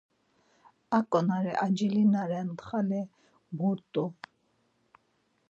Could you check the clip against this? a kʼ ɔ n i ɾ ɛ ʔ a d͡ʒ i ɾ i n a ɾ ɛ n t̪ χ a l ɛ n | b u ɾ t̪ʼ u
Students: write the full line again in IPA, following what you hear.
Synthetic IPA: a kʼ ɔ n a ɾ ɛ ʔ a d͡ʒ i l i n a ɾ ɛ n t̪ χ a l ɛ | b u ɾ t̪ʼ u